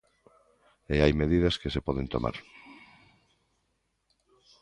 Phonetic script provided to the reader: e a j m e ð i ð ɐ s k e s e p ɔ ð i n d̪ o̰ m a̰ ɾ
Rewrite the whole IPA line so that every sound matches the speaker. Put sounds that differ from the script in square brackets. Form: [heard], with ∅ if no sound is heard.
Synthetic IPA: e a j m e ð i ð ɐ s k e s e p ɔ ð [e] n [t̪] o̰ m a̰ ɾ

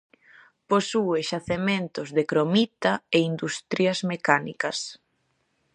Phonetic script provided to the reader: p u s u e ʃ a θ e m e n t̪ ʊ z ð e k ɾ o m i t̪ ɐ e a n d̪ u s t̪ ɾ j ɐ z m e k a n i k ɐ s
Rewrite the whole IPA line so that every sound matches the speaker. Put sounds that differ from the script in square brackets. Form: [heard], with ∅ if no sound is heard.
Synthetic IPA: p [o] s u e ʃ a θ e m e n t̪ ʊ z ð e k ɾ o m i t̪ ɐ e [i] n d̪ u s t̪ ɾ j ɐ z m e k a n i k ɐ s

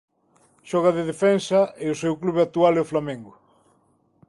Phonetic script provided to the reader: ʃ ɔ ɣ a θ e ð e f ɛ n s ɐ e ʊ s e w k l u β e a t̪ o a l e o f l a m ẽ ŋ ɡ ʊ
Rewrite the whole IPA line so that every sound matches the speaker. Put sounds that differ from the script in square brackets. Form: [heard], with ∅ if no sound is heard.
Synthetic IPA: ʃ ɔ ɣ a [ð] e ð e f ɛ n s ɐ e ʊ s e w k l u β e a t̪ [u] a l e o f l a m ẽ ŋ ɡ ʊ

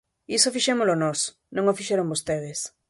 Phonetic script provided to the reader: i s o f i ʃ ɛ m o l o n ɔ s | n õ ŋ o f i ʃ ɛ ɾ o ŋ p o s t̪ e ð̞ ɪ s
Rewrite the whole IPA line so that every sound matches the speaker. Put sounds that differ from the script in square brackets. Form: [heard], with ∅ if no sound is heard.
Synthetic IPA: i s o f i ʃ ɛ m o l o n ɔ s | n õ ŋ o f i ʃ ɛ ɾ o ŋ [b] o s t̪ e ð̞ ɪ s

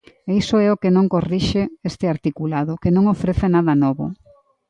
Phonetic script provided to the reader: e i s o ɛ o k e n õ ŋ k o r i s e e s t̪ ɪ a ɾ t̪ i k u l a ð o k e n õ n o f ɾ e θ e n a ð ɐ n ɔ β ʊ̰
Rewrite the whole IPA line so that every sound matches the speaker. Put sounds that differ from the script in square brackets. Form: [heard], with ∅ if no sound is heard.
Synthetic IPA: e i s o ɛ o k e n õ ŋ k o r i [ʃ] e e s t̪ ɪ a ɾ t̪ i k u l a ð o k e n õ [ŋ] o f ɾ e θ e n a ð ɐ n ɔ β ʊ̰

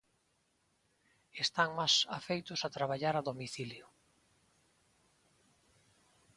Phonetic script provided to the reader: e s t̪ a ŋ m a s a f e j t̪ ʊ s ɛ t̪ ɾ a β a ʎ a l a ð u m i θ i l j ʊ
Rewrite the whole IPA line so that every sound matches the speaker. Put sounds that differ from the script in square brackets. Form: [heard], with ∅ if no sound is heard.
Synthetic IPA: e s t̪ a ŋ m a s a f e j t̪ ʊ s [a] t̪ ɾ a β a ʎ a [ɾ] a ð [o] m i θ i l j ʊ

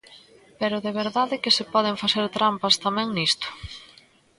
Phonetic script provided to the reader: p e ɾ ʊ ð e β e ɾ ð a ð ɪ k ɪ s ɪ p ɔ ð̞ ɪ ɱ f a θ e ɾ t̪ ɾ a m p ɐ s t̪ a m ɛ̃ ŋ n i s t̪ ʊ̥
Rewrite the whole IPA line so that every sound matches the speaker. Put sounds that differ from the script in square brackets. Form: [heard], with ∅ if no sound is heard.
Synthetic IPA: p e ɾ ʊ ð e β e ɾ ð a ð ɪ k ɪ s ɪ p ɔ ð̞ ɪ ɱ f a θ e ɾ t̪ ɾ a m p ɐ s t̪ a m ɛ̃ ŋ n i s t̪ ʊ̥

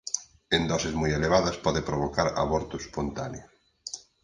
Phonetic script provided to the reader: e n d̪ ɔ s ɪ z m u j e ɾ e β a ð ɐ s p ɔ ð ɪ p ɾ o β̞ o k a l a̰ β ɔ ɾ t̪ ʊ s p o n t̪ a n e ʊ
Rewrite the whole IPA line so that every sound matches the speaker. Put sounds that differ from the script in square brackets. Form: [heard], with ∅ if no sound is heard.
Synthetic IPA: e n d̪ ɔ s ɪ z m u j e [l] e β a ð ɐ s p ɔ ð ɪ p ɾ o β̞ o k a [ɾ] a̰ β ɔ ɾ t̪ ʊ s p o n t̪ a n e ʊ

